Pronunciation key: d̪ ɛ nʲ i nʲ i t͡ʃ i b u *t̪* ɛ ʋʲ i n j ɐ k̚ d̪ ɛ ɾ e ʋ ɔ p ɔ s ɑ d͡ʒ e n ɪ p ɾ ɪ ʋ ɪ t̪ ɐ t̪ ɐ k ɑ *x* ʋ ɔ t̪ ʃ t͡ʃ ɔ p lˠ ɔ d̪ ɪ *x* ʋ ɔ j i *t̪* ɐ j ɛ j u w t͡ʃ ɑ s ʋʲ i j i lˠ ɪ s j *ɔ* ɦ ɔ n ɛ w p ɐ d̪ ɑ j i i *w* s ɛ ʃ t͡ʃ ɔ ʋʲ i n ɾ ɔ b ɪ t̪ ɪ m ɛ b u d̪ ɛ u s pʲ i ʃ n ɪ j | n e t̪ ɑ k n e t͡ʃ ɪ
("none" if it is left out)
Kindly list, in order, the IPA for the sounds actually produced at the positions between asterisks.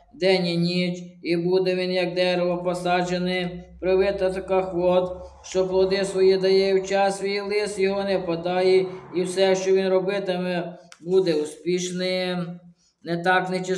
d̪, x, s, d̪, ɔ, w

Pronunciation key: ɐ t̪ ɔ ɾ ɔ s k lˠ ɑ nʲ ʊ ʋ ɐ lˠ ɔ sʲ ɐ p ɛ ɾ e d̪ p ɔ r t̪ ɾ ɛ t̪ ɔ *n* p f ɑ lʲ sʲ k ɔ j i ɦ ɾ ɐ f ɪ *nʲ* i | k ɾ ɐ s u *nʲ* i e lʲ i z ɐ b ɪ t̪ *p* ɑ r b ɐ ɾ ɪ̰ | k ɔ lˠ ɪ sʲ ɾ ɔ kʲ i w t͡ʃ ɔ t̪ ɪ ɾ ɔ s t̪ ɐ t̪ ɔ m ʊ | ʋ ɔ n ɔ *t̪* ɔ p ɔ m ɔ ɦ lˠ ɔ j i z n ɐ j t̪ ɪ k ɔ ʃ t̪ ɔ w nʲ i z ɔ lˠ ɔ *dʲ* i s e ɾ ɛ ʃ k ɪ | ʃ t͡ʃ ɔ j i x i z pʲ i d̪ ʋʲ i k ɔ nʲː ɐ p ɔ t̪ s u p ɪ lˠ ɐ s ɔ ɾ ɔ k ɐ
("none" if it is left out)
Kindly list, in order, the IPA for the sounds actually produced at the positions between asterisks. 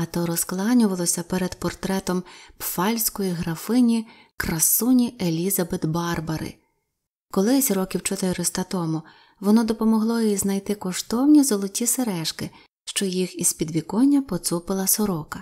m, nʲ, nʲ, b, d̪, tʲ

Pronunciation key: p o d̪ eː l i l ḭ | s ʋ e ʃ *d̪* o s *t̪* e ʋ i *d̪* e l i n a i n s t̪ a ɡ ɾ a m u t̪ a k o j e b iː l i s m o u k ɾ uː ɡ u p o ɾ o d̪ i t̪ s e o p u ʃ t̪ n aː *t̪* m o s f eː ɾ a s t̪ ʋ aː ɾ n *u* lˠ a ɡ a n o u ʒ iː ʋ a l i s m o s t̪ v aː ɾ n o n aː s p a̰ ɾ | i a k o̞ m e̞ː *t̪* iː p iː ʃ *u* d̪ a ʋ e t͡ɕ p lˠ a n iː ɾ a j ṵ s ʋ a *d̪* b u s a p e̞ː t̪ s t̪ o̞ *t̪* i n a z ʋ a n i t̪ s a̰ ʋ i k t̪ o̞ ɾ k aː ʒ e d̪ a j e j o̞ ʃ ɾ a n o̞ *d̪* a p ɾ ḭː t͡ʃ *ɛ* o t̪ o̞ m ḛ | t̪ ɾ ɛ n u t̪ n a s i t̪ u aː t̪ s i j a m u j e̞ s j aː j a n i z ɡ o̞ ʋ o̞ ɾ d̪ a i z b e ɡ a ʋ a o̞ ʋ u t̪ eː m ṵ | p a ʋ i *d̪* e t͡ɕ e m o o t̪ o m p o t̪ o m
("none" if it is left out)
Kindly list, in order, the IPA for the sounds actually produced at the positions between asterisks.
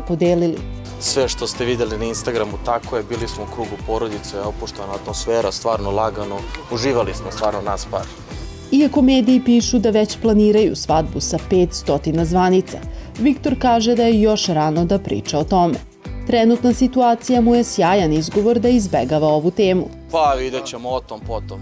t̪, t̪, d̪, t̪, o, d̪, u, d̪, t̪, d̪, a, d̪

